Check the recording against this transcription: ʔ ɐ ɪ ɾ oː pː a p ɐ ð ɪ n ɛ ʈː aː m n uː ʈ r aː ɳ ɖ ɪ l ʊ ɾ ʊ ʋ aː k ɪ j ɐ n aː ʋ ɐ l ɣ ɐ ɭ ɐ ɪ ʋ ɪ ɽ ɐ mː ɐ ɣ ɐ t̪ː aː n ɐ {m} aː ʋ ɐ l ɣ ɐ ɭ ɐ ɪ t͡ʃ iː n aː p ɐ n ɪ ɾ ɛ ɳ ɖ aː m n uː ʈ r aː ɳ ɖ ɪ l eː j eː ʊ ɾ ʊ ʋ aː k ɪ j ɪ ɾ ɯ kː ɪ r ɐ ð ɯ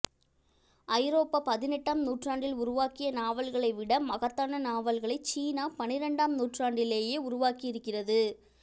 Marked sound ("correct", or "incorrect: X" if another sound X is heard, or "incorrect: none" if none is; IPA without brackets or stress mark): incorrect: n